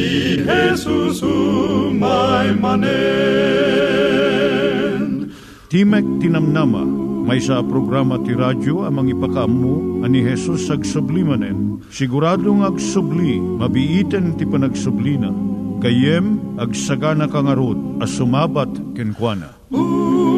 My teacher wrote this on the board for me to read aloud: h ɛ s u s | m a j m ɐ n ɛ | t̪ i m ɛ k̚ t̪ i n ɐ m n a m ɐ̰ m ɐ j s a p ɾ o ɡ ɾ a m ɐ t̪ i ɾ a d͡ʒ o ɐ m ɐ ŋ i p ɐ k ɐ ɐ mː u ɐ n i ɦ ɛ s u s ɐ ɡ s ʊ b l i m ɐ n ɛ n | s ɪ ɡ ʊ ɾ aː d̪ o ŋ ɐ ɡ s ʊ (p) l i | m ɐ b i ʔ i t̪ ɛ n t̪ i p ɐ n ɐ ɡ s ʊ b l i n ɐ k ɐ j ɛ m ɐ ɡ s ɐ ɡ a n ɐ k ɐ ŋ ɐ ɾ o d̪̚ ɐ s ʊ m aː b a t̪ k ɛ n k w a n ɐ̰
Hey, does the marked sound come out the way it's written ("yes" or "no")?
no